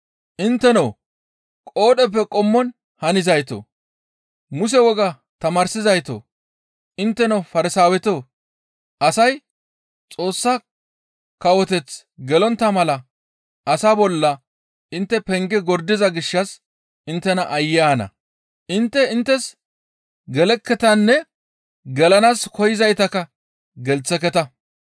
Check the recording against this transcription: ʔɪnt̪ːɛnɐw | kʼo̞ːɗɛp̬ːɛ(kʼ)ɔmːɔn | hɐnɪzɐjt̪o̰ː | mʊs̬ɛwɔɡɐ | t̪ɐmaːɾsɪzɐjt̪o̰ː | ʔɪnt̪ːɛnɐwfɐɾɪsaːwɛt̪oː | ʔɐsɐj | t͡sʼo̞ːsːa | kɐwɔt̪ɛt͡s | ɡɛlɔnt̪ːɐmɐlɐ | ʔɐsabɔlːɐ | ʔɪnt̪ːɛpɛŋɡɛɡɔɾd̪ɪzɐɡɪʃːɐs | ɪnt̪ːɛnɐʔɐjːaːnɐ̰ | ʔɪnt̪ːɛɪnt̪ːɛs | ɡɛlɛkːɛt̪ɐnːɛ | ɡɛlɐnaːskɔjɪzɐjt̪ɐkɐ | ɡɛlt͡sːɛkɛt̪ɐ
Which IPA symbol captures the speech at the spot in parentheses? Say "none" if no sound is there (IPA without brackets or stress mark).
kʼ